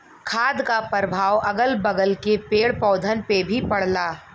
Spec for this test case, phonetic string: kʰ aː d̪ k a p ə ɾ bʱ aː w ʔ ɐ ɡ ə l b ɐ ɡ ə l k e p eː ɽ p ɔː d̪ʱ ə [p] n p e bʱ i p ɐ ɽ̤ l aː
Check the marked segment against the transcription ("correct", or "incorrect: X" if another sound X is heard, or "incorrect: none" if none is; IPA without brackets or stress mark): incorrect: none